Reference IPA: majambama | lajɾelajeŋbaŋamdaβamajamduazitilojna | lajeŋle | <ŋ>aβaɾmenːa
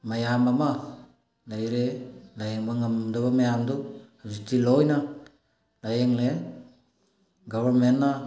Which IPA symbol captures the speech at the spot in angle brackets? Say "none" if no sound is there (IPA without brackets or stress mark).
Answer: ɡ